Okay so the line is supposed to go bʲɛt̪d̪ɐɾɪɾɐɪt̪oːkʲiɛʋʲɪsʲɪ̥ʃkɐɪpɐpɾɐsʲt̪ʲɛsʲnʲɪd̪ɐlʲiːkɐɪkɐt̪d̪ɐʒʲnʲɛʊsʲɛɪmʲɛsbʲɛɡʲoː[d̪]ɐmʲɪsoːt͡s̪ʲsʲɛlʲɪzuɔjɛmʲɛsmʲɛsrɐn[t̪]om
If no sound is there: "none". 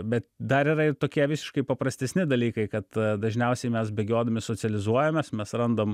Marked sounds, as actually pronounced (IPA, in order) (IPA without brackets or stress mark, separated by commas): d̪, d̪